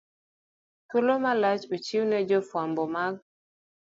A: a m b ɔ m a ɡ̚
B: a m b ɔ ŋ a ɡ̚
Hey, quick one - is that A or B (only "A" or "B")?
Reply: A